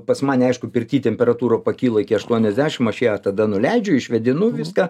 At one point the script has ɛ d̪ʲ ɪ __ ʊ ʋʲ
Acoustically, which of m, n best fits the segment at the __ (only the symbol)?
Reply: n